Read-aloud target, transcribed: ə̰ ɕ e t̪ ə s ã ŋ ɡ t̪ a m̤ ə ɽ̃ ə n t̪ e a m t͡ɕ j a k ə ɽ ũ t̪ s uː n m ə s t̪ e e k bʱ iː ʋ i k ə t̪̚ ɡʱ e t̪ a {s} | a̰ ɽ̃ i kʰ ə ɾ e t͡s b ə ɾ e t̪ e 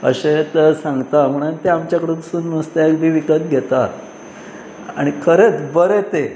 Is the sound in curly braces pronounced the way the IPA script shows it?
no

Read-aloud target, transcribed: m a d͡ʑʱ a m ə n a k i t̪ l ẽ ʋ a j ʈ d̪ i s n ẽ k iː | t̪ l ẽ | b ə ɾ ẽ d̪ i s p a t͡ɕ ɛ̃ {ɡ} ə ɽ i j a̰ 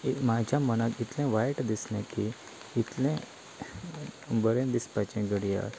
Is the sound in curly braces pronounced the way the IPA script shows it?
yes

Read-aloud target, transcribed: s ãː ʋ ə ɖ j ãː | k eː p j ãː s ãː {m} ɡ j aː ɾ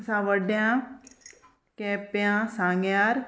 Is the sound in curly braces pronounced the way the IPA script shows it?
no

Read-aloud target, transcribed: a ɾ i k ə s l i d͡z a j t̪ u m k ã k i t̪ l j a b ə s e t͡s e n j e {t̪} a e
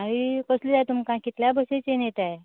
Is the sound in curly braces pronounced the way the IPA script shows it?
yes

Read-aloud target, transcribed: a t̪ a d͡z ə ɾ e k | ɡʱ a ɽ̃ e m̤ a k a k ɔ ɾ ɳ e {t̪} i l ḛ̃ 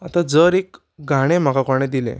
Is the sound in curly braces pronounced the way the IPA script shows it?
no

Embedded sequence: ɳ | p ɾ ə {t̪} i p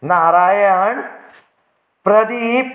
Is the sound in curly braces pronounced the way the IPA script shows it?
no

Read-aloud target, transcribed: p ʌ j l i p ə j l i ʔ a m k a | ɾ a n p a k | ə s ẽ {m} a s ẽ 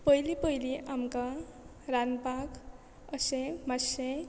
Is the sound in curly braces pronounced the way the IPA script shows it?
yes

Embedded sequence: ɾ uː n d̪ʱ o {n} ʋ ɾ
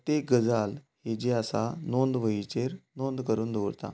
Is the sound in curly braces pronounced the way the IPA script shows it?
no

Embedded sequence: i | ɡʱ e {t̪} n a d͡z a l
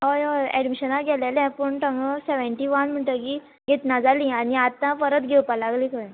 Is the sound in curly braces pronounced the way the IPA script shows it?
yes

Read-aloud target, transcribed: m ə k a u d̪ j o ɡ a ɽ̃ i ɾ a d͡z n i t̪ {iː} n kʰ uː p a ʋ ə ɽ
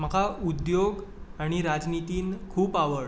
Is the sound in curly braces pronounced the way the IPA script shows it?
yes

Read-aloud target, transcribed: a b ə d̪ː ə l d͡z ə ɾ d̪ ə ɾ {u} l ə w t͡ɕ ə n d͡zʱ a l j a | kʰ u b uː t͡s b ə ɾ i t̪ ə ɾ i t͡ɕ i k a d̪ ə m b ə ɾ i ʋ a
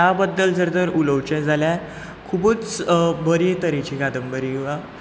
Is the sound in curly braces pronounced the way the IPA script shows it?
yes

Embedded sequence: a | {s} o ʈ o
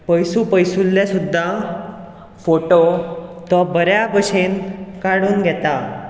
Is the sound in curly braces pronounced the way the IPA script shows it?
no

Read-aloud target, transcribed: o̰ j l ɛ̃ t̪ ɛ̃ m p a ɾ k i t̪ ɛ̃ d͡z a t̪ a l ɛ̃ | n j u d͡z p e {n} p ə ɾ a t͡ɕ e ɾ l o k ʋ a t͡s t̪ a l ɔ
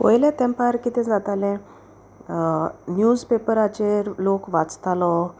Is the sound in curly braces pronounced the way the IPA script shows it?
no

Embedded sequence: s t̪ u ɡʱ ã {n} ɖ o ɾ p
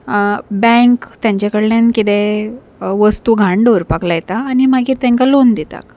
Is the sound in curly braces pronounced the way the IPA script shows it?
no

